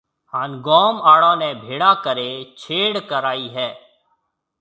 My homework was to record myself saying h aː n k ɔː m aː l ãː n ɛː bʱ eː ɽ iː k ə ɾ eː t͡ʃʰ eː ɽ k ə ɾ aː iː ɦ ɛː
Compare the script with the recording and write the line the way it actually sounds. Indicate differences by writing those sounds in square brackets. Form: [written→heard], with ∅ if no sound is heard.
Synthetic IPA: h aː n [k→ɡ] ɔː m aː [l→ɽ] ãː n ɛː bʱ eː ɽ [iː→aː] k ə ɾ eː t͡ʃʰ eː ɽ k ə ɾ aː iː ɦ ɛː